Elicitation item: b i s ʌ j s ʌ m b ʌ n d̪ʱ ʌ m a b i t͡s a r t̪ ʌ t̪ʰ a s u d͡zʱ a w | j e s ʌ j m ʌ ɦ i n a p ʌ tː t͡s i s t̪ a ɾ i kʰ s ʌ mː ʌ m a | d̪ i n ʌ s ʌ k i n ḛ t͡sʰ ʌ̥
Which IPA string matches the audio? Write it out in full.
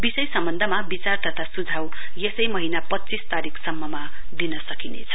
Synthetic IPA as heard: b i s ʌ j s ʌ m b ʌ n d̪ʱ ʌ m a b i t͡s a r t̪ ʌ t̪ʰ a s u d͡zʱ a w | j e s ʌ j m ʌ ɦ i n a p ʌ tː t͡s i s t̪ a ɾ i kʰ s ʌ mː ʌ m a | d̪ i n ʌ s ʌ k i n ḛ t͡sʰ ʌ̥